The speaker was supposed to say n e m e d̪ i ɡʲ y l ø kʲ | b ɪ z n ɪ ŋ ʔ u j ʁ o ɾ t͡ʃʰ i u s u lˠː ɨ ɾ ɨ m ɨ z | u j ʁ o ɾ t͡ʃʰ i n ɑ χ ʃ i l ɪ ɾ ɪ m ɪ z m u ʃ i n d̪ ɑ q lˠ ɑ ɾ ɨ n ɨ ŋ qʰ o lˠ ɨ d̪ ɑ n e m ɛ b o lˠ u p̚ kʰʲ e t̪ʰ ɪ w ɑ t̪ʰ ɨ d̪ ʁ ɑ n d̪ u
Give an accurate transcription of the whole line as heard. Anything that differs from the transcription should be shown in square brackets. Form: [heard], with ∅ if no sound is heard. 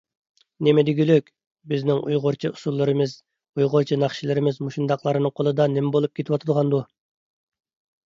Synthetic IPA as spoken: n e m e d̪ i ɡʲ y l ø kʲ | b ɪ z n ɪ ŋ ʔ u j ʁ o ɾ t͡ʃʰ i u s u lˠː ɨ ɾ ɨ m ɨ z | u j ʁ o ɾ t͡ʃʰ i n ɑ χ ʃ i l ɪ ɾ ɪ m ɪ z m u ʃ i n d̪ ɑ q lˠ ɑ ɾ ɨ n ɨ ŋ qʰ o lˠ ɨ d̪ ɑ n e m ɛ b o lˠ u p̚ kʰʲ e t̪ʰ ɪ w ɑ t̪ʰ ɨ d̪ ʁ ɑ n d̪ u